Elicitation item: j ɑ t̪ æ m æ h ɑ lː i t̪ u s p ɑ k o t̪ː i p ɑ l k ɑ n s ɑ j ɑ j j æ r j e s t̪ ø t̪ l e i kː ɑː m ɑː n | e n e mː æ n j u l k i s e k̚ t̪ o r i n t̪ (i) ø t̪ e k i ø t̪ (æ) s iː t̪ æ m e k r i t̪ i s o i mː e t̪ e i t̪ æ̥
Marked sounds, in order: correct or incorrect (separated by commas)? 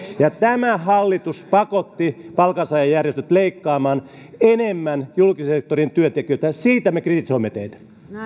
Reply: incorrect, correct